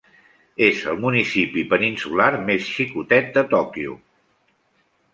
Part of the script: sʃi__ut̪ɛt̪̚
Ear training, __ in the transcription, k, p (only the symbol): k